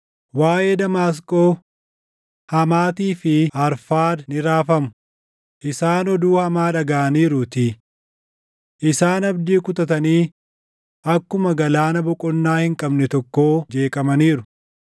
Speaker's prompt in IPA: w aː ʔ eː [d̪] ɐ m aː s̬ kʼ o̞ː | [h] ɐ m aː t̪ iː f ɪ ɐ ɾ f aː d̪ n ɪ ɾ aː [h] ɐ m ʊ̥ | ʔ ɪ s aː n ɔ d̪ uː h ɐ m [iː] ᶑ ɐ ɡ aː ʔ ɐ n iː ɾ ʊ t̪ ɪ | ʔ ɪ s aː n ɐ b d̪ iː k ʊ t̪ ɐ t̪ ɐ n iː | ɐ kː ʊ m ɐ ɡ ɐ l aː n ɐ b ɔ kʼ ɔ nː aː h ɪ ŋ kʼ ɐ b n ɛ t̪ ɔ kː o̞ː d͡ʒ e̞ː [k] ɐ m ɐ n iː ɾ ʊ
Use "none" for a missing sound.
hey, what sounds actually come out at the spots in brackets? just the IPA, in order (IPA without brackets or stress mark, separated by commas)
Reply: d̪, h, f, aː, kʼ